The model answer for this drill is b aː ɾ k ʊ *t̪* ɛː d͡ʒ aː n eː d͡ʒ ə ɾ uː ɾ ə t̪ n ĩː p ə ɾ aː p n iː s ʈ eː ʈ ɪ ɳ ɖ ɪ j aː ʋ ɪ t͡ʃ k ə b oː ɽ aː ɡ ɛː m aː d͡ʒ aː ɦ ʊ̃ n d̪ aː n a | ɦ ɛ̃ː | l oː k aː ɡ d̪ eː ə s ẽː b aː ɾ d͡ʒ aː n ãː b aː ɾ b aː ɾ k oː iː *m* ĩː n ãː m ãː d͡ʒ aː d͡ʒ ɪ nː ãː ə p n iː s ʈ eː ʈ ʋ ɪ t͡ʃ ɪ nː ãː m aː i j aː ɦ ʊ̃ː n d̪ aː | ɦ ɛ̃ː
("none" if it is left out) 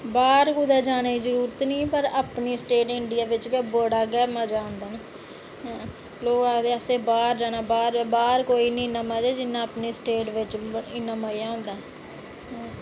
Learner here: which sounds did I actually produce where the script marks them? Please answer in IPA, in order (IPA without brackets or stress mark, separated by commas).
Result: d̪, n